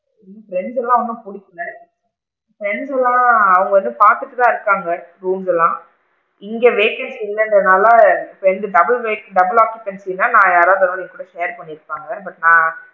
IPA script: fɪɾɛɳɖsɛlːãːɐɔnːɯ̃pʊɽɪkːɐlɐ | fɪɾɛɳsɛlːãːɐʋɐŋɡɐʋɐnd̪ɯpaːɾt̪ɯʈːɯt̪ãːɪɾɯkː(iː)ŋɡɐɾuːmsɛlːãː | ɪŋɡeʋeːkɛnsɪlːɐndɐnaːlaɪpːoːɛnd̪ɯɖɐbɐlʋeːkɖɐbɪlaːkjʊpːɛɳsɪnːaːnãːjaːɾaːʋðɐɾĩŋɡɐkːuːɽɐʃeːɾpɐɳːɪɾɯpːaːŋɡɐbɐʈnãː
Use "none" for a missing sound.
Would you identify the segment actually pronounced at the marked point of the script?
aː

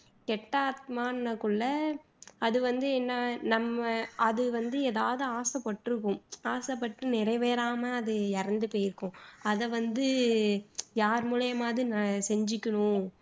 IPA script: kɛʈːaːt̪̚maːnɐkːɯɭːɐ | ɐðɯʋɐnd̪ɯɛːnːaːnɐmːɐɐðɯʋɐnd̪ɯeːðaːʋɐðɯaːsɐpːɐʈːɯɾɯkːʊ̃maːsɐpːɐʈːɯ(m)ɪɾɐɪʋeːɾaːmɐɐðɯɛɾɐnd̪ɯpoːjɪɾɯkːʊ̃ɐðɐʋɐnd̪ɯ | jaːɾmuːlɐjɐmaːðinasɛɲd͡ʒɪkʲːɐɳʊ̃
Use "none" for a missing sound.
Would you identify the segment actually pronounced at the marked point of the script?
n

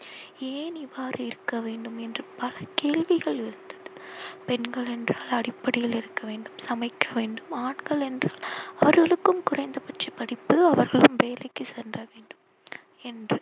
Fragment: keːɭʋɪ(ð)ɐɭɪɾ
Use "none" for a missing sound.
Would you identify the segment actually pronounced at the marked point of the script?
ɣ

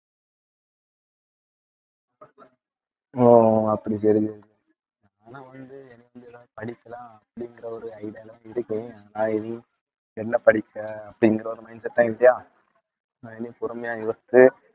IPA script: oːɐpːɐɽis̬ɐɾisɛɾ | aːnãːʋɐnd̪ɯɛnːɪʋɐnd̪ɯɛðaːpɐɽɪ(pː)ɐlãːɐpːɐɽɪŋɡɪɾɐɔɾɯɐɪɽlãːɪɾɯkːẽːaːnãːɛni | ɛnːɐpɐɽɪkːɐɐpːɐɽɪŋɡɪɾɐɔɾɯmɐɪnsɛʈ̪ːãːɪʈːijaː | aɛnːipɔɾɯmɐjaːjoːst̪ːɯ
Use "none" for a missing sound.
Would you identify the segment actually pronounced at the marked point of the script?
kː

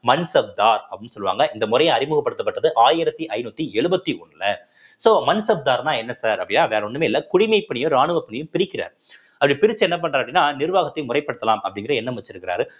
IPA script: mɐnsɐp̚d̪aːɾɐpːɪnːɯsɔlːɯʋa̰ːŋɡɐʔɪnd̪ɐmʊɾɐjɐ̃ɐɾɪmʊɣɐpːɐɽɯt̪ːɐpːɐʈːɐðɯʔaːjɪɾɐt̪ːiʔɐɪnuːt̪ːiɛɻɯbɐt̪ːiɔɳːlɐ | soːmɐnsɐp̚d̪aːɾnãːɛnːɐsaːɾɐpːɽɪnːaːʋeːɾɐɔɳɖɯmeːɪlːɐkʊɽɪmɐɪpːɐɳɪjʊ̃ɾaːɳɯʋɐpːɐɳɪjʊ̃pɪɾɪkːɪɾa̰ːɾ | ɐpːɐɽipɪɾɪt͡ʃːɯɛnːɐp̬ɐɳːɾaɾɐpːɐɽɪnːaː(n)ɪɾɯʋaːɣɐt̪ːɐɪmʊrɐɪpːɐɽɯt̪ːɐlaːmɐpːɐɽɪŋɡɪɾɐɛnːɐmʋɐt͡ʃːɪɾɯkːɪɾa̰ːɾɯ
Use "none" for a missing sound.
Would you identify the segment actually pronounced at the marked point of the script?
n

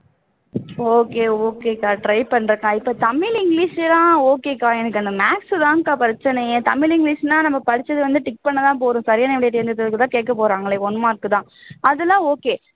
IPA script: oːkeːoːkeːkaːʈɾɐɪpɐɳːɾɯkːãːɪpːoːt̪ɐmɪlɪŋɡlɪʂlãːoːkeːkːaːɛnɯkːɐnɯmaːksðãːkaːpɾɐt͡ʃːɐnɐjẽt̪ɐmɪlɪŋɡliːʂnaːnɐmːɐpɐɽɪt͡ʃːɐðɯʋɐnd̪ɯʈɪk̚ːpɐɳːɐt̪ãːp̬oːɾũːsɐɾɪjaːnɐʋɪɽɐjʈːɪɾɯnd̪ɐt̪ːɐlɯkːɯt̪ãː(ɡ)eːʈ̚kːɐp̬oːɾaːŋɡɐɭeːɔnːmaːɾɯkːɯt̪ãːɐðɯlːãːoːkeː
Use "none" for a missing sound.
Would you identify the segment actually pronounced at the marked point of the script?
k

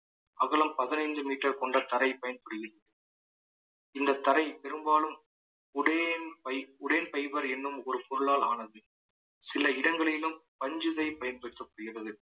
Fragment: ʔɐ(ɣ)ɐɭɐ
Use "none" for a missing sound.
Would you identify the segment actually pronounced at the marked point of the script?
ɣ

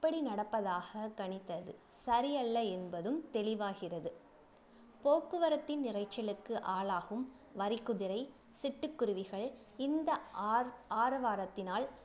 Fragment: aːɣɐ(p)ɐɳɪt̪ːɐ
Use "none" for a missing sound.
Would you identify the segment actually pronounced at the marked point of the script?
k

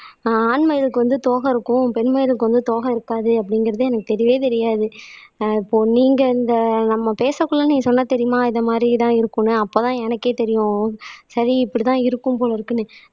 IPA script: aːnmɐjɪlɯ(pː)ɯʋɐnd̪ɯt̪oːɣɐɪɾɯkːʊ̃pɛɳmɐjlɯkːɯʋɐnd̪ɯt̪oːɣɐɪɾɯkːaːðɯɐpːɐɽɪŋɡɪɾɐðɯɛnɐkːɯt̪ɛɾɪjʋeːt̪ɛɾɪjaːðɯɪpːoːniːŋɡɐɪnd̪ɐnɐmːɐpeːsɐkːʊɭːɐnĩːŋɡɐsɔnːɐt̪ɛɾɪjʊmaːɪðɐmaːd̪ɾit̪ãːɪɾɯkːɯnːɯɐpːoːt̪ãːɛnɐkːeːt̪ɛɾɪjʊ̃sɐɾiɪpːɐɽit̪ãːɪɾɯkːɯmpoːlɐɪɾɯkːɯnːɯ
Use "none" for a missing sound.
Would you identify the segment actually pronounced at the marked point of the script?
kː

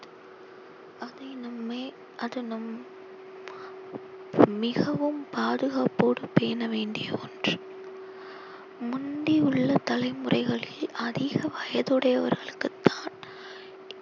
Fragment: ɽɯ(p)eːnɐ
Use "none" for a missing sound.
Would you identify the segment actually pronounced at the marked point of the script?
p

